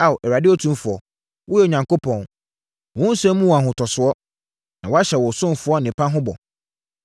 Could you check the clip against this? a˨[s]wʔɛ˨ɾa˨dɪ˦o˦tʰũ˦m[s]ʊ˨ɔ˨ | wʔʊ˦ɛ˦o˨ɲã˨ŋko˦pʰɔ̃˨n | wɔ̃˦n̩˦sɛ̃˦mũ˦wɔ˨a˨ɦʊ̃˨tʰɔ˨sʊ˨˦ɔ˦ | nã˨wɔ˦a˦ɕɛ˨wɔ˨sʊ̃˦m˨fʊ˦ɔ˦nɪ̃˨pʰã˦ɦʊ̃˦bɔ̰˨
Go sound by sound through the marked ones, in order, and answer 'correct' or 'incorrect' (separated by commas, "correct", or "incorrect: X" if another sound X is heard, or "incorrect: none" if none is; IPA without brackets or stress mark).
incorrect: none, incorrect: f